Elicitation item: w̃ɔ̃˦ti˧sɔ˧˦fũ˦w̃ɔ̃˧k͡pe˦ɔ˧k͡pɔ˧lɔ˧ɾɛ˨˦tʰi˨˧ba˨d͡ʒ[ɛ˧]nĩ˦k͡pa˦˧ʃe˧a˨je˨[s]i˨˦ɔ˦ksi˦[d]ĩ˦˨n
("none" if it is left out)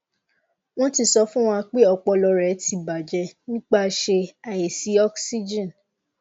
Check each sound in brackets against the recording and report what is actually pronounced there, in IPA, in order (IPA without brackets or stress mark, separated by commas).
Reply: ɛ˧, s, d͡ʒ